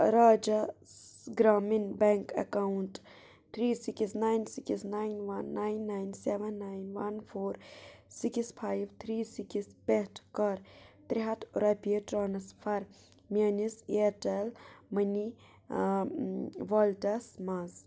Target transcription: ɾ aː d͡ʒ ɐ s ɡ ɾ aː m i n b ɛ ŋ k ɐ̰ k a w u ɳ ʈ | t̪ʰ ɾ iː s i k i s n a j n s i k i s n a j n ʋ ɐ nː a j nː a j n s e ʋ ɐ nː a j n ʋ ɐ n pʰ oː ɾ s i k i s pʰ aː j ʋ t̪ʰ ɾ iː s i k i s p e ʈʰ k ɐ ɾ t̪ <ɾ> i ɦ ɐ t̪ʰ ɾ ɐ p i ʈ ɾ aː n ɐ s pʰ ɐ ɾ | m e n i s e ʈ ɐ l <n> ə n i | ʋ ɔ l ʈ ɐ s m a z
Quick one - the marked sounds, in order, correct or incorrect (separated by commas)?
correct, incorrect